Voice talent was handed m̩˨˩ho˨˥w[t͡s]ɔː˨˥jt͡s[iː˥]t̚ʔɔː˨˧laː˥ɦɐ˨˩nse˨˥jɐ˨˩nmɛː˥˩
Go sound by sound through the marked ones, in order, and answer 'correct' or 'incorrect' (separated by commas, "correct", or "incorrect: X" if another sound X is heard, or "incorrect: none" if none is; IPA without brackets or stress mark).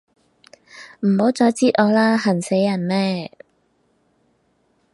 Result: correct, correct